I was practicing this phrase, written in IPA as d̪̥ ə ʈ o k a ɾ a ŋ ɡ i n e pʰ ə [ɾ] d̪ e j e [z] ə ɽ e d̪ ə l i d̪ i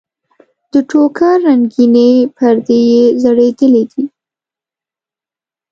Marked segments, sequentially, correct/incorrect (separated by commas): correct, correct